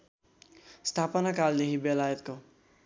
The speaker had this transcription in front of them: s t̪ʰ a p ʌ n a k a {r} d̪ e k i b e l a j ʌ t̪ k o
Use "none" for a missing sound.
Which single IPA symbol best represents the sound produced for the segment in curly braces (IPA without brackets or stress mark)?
l